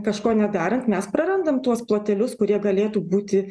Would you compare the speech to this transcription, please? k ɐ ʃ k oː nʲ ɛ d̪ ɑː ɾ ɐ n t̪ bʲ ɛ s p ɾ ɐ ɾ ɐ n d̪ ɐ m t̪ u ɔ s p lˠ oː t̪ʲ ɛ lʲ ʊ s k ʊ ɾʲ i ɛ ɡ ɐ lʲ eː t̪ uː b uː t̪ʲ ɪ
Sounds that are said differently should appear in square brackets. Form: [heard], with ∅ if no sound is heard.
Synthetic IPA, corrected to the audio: k ɐ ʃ k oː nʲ ɛ d̪ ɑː ɾ ɐ n t̪ [mʲ] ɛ s p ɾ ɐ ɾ ɐ n d̪ ɐ m t̪ u ɔ s p lˠ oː t̪ʲ ɛ lʲ ʊ s k ʊ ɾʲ i ɛ ɡ ɐ lʲ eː t̪ uː b uː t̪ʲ ɪ